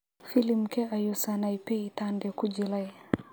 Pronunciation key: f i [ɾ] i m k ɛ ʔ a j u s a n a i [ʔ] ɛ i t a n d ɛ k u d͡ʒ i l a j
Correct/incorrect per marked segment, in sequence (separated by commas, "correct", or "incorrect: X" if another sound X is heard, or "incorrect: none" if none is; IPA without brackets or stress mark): incorrect: l, incorrect: p